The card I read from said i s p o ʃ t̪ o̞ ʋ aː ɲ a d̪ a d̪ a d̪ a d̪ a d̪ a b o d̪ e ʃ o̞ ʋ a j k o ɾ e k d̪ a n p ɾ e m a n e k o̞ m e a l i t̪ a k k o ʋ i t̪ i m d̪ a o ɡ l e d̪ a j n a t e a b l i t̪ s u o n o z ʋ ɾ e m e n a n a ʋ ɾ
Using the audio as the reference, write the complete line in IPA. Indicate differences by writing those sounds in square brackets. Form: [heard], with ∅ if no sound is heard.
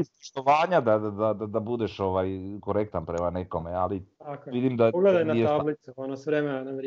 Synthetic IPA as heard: i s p o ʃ t̪ o̞ ʋ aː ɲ a d̪ a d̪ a d̪ a d̪ a d̪ a b [u] d̪ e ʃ o̞ ʋ a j k o ɾ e k [t̪] a n p ɾ e m a n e k o̞ m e a l i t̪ a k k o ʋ i [d̪] i m d̪ a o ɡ l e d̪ a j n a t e a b l i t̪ s u o n o [s] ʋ ɾ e m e n a n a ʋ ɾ